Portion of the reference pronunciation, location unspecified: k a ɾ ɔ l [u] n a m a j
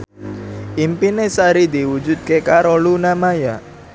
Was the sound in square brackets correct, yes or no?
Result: yes